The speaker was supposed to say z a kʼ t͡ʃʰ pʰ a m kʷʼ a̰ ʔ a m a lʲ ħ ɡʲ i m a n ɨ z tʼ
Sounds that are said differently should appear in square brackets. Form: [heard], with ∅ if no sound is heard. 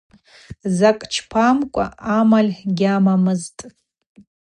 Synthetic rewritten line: z a kʼ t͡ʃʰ pʰ a m kʷʼ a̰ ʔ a m a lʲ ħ ɡʲ [a] m a [m] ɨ z tʼ